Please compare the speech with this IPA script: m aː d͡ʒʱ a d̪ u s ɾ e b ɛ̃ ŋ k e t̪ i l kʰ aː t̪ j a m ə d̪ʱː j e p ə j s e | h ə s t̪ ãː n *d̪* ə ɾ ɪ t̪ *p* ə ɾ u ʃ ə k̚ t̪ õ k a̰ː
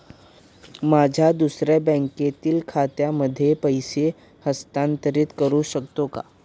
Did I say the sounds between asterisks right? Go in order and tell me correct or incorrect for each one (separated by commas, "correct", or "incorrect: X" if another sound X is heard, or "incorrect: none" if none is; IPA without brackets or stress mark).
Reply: incorrect: t̪, incorrect: k